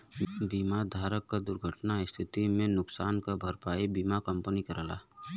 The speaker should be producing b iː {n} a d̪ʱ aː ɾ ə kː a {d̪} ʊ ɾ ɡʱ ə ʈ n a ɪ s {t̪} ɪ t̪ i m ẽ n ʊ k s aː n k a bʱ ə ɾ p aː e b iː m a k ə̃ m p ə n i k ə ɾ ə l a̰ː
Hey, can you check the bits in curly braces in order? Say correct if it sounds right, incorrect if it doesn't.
incorrect: m, correct, incorrect: t̪ʰ

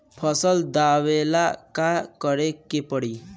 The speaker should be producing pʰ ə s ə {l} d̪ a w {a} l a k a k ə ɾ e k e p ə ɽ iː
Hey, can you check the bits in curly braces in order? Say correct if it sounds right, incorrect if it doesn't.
correct, incorrect: e

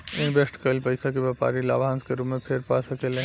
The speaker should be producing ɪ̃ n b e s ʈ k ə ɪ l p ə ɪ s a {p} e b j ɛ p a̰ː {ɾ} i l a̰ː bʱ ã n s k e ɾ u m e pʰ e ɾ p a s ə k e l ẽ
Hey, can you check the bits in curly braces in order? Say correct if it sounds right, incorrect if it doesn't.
incorrect: k, correct

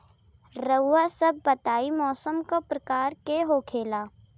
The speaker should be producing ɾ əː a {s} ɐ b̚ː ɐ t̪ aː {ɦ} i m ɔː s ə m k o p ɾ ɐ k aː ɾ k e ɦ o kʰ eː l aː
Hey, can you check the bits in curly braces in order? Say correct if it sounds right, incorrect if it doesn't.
correct, incorrect: none

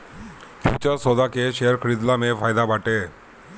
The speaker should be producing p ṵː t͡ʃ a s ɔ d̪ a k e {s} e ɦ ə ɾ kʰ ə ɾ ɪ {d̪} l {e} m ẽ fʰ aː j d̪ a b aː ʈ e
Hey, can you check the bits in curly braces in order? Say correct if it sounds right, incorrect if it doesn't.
incorrect: ʃ, correct, incorrect: a

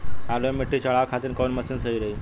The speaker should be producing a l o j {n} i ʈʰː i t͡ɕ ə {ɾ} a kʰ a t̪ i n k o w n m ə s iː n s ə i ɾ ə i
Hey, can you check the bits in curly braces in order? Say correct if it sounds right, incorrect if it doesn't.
incorrect: m, incorrect: ɭ

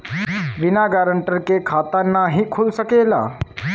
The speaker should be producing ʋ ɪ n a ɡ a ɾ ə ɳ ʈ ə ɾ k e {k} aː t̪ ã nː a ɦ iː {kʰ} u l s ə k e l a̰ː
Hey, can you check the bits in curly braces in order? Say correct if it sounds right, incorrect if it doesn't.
incorrect: kʰ, correct

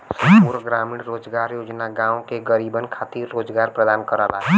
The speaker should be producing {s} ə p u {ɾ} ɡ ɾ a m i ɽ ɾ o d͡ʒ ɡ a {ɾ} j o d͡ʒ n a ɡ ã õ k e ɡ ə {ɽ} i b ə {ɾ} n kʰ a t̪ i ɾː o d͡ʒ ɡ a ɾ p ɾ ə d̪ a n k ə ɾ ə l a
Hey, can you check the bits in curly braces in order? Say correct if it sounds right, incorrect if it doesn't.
correct, correct, correct, incorrect: ɾ, incorrect: none

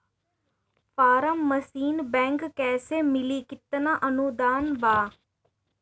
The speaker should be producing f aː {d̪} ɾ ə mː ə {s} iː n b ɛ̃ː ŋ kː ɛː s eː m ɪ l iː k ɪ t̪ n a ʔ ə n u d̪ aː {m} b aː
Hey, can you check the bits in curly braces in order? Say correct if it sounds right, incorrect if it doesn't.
incorrect: none, correct, incorrect: n

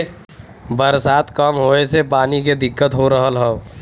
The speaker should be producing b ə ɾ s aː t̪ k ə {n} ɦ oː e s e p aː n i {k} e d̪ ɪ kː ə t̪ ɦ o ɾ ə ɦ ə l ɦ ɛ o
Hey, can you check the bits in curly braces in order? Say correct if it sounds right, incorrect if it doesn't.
incorrect: m, correct

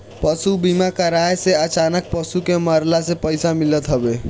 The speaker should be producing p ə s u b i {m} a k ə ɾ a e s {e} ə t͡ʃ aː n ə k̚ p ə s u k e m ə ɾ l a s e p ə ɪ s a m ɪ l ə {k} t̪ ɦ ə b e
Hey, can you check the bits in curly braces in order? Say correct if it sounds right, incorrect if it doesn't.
correct, correct, incorrect: none

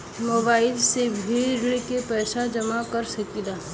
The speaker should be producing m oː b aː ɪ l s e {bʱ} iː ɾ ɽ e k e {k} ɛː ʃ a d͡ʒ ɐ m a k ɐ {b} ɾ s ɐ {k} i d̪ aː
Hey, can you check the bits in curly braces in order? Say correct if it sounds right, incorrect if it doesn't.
correct, incorrect: p, incorrect: none, correct

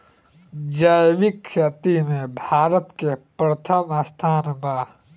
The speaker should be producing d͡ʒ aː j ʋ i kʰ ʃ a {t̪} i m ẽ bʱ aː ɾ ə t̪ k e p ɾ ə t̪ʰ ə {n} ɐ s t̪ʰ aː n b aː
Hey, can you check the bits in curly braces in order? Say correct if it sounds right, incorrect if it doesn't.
correct, incorrect: m

